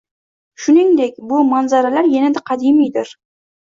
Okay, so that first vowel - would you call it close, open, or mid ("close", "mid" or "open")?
close